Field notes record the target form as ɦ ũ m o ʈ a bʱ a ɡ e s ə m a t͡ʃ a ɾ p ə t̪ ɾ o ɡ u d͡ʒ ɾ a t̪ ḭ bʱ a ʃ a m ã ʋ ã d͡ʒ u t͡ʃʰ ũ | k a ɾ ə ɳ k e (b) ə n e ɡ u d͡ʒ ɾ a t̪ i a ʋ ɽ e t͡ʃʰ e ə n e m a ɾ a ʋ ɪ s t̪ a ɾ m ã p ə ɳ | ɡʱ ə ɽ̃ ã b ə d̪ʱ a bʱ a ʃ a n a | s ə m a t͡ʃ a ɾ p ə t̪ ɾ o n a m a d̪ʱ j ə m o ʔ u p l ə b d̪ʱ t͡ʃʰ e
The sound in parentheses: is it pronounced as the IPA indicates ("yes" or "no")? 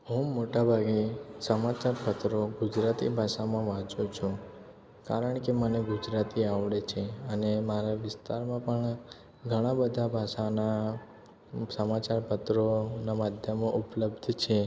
no